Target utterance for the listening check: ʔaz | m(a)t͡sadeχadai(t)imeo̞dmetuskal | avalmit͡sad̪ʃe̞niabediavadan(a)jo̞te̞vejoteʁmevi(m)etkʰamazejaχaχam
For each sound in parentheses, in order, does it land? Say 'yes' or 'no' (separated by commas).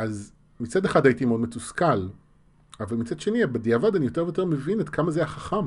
no, yes, no, no